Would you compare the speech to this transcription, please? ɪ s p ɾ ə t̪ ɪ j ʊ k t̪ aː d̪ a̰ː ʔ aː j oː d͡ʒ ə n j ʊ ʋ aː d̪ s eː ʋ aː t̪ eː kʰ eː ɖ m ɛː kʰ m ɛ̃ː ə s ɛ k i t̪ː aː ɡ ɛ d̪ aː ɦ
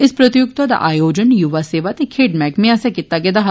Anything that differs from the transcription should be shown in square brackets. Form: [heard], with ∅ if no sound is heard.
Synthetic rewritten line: ɪ s p ɾ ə t̪ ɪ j ʊ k t̪ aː d̪ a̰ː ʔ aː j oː d͡ʒ ə n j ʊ ʋ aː [∅] s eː ʋ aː t̪ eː kʰ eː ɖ m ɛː [k] m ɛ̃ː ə s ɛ k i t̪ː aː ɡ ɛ d̪ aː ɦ